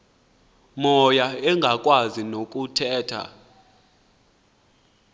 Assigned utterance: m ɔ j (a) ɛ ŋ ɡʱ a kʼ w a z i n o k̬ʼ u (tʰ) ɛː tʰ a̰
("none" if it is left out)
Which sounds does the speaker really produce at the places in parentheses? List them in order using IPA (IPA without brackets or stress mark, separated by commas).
a, tʰ